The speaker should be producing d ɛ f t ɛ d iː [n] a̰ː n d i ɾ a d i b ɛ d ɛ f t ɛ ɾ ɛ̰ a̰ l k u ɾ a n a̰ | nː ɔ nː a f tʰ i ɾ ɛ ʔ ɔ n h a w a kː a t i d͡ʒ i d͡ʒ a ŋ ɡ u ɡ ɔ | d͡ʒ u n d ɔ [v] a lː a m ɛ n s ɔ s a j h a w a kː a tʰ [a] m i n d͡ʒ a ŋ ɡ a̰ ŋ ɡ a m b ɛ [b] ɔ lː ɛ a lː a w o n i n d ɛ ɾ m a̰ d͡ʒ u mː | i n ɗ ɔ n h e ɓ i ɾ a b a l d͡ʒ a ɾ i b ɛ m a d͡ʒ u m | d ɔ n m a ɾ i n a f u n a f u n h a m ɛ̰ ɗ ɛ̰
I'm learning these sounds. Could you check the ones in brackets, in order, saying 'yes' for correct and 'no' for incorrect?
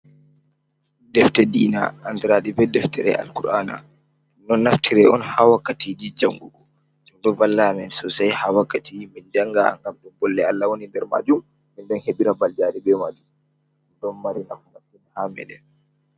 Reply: yes, yes, no, yes

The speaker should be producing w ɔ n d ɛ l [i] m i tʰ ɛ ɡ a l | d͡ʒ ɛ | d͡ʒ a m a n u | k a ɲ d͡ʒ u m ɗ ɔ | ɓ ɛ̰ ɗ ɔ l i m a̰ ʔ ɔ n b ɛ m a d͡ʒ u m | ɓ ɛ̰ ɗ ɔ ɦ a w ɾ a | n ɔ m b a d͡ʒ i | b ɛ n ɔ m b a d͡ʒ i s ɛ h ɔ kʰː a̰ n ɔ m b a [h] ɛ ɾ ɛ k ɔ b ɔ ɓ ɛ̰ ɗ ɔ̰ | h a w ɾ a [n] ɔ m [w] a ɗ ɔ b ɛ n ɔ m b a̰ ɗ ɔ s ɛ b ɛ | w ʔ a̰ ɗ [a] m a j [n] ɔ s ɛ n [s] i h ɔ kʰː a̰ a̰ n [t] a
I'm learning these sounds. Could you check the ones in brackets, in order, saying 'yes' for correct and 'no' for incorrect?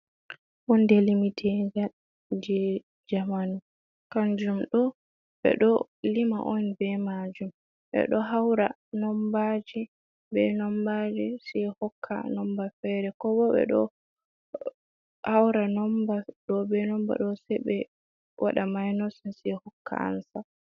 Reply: yes, no, yes, no, yes, yes, yes, no

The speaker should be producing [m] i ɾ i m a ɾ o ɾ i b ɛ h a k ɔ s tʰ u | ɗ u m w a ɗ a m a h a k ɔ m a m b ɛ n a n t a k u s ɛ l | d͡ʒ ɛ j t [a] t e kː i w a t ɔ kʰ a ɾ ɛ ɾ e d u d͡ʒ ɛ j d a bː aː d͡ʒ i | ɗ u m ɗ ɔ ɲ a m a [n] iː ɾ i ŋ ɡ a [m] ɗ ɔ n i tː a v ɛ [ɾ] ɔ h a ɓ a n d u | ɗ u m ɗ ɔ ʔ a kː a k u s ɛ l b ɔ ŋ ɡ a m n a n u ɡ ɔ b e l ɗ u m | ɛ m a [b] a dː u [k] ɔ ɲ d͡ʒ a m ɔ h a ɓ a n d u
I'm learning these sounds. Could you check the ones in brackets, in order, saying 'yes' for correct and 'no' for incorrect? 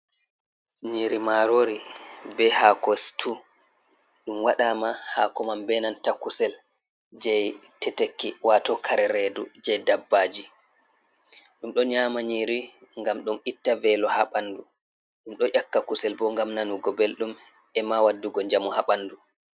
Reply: no, no, no, yes, no, no, no

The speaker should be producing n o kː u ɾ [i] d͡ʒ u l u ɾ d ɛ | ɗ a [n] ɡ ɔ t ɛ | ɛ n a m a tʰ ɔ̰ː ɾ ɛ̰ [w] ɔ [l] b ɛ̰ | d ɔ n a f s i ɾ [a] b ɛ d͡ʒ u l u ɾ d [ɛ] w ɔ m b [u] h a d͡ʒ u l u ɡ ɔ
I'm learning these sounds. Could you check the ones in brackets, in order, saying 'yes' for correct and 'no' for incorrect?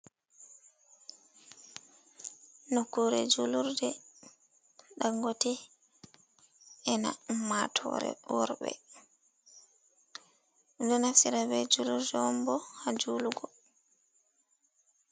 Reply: no, no, yes, no, yes, yes, no

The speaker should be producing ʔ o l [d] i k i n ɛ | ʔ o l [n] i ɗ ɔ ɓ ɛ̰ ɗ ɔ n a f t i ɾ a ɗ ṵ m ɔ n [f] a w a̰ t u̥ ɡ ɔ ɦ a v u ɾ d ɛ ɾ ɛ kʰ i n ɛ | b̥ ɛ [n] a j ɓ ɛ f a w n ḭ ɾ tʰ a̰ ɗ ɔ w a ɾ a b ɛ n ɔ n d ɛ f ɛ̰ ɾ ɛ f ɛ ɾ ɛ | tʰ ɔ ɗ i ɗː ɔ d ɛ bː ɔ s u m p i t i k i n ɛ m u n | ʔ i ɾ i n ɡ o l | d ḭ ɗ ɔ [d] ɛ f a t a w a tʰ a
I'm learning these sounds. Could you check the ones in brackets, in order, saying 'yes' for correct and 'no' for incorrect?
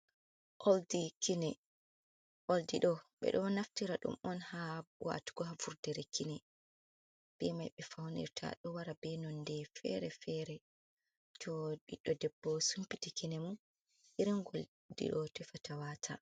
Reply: yes, no, no, no, no

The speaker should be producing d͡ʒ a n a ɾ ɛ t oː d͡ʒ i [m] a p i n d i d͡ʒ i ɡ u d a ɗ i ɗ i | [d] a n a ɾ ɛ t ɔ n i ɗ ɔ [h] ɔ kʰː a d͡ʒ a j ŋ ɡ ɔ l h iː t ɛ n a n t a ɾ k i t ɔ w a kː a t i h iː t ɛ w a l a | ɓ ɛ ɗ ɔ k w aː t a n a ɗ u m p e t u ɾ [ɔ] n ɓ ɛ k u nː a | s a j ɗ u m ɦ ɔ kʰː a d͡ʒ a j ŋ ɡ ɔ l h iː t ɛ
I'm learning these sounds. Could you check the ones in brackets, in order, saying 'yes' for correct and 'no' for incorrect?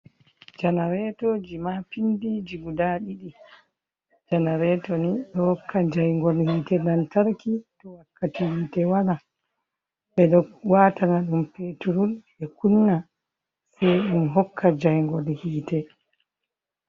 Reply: yes, no, yes, no

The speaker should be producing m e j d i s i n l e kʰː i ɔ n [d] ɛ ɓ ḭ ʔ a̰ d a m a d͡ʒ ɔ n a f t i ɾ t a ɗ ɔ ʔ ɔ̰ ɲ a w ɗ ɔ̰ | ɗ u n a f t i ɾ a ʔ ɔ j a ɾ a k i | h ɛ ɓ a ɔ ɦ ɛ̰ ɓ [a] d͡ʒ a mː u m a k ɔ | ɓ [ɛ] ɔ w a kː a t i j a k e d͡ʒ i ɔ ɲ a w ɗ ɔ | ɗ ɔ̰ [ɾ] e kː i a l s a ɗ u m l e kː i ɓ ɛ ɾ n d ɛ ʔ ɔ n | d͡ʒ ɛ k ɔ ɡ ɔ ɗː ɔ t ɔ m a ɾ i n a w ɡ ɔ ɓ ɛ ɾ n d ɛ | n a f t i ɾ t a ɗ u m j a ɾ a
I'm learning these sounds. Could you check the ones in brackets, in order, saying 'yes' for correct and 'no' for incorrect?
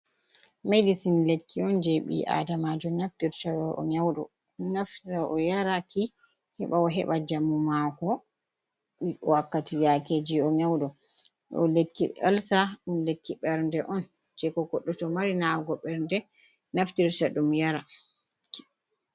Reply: no, yes, no, no

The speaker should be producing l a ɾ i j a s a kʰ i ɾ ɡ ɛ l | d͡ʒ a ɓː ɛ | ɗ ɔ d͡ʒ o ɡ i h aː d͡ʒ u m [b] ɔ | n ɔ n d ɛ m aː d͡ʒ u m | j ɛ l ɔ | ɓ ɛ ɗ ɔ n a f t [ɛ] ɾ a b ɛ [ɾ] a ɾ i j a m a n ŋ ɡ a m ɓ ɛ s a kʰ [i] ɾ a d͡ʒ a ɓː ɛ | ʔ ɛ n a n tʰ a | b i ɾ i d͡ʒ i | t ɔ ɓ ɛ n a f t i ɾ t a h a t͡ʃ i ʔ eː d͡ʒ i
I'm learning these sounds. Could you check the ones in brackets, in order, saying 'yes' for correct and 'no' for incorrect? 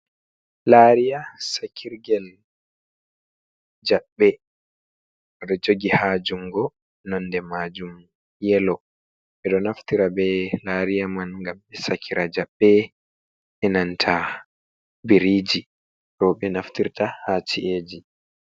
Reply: no, no, no, yes

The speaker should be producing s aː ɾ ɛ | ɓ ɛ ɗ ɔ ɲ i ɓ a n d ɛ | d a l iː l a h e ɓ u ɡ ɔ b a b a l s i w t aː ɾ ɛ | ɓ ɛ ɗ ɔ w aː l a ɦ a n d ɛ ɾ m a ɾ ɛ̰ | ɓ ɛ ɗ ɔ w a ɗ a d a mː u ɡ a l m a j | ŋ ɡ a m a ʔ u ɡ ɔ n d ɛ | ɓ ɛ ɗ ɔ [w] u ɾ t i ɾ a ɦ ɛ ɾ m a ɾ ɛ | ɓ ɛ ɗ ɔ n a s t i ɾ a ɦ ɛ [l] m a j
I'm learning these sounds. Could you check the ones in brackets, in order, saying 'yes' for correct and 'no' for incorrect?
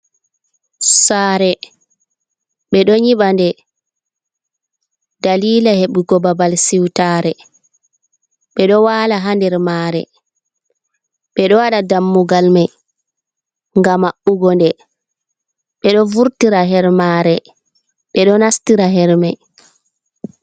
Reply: no, no

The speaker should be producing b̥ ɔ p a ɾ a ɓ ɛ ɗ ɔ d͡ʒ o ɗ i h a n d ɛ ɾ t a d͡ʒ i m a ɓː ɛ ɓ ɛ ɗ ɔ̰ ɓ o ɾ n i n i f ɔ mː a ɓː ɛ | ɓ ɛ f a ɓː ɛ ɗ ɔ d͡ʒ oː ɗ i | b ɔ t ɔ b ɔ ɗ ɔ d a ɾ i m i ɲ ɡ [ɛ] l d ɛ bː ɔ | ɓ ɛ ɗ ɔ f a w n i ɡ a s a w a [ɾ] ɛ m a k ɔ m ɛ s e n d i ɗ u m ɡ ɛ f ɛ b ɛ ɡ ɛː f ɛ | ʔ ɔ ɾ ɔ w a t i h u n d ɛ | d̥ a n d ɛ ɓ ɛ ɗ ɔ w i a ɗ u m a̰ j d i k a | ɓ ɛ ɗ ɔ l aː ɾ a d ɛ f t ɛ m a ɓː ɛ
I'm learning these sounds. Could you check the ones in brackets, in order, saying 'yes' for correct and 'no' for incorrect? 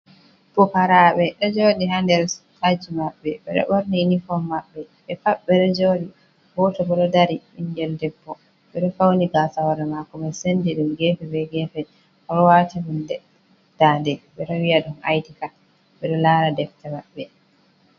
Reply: yes, yes

